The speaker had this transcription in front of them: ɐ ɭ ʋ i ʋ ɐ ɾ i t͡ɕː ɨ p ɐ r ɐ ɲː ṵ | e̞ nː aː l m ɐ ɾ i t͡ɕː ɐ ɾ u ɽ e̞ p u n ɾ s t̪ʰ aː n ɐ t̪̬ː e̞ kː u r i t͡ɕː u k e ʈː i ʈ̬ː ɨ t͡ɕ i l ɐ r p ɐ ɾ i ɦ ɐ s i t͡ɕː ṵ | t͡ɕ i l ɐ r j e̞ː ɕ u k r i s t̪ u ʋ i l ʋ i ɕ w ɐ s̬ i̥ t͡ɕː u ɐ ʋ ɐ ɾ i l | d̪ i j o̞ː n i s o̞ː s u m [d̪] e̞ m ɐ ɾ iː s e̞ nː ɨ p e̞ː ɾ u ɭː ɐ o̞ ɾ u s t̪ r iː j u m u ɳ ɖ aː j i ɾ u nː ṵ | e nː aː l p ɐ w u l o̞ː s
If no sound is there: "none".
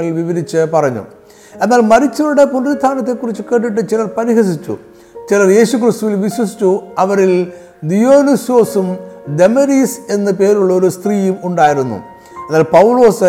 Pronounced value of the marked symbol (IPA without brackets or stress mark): d̪